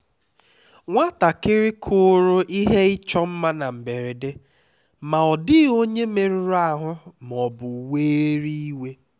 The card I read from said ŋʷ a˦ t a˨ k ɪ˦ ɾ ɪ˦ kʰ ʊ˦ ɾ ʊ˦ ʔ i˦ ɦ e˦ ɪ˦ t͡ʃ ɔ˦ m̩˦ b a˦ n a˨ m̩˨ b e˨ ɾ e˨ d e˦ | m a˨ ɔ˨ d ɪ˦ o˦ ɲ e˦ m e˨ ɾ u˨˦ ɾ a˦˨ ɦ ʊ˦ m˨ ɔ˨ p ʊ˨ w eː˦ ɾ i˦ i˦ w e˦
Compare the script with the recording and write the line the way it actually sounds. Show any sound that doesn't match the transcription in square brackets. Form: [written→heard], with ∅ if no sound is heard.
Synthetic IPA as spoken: ŋʷ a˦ t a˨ k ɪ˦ ɾ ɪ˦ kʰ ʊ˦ ɾ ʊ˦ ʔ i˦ ɦ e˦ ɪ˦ t͡ʃ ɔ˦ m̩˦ [b→m] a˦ n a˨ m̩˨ b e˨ ɾ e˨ d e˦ | m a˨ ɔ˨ d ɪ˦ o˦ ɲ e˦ m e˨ ɾ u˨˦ ɾ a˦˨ ɦ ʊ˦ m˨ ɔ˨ [p→b] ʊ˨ w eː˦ ɾ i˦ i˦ w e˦